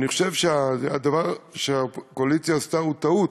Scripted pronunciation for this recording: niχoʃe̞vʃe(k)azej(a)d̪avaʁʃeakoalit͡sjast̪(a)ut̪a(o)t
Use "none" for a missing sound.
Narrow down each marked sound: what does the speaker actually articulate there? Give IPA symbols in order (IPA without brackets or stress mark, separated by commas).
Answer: none, a, a, u